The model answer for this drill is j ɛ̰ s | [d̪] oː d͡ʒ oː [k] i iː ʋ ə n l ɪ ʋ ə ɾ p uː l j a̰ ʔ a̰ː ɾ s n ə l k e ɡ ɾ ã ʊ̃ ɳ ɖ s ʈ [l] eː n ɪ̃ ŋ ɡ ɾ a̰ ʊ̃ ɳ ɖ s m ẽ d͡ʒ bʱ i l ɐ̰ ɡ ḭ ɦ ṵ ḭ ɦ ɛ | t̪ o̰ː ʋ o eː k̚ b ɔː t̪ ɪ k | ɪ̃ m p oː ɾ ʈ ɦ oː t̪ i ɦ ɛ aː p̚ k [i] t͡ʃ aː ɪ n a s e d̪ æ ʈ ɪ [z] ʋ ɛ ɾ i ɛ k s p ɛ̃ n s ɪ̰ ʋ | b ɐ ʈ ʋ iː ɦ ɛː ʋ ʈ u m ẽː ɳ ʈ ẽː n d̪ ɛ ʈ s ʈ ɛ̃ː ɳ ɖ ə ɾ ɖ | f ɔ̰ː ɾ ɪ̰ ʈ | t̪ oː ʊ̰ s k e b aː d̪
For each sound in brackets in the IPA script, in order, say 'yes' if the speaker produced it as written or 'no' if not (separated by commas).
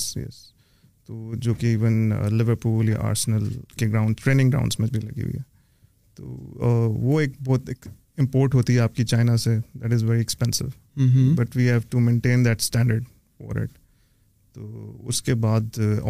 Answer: no, yes, no, yes, yes